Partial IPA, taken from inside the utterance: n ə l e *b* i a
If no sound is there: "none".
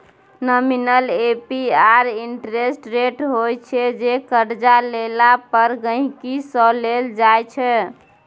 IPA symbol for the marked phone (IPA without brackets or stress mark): p